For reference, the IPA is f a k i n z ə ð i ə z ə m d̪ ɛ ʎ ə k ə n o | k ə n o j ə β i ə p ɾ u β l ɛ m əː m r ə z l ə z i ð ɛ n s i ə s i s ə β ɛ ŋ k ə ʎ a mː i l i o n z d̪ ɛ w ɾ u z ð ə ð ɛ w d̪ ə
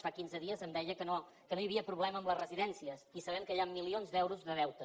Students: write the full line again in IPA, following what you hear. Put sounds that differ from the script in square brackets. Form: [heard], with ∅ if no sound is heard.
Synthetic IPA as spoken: f a k i n z ə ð i ə z ə m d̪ ɛ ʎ ə k ə n o | k ə n o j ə β i ə p ɾ u β l ɛ m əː m [l] ə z [r] ə z i ð ɛ n s i ə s i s ə β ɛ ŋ k ə ʎ a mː i l i o n z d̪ ɛ w ɾ u z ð ə ð ɛ w [t̪] ə